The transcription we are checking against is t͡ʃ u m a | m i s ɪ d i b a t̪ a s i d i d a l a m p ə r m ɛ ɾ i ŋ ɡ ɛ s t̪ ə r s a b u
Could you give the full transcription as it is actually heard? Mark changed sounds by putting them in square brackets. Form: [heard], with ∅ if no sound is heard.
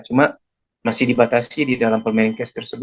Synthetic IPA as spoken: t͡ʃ u m a | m [a] s [i] d i b a t̪ a s i d i d a l a m p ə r m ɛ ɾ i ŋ [k] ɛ s t̪ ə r s [ə] b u